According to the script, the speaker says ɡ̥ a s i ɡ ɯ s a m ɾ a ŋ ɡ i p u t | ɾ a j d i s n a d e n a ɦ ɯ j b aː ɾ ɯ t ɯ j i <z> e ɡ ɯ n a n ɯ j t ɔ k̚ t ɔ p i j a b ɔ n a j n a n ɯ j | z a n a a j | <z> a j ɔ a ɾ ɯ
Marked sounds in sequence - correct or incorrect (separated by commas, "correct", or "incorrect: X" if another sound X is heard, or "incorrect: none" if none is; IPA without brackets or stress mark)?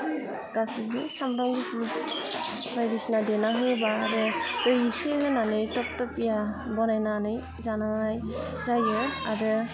incorrect: s, correct